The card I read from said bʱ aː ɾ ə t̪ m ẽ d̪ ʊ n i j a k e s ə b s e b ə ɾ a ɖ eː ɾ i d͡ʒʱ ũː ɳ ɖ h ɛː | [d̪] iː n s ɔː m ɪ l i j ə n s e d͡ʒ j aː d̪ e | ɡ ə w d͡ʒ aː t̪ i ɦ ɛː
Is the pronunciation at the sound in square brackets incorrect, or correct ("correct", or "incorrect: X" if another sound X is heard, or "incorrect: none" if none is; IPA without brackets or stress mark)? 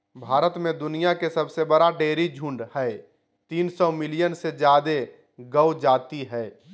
incorrect: t̪